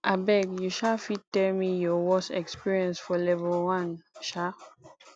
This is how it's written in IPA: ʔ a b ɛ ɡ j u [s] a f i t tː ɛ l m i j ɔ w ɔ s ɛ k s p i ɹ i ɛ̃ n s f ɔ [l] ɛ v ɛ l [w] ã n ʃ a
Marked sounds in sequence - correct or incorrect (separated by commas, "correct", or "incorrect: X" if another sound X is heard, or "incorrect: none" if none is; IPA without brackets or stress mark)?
incorrect: ʃ, correct, correct